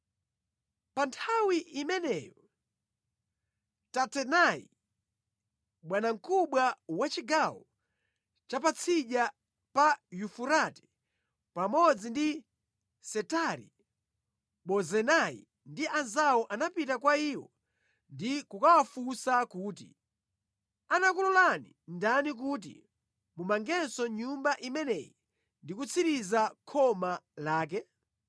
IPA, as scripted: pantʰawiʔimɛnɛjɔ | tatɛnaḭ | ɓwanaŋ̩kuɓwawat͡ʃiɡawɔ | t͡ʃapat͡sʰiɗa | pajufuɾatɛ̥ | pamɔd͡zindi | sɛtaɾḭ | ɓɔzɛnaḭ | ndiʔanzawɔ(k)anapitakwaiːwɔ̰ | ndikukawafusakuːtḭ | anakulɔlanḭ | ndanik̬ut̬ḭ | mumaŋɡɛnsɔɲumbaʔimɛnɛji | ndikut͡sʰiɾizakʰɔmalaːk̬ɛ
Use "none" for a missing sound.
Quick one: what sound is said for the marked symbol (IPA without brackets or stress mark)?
ʔ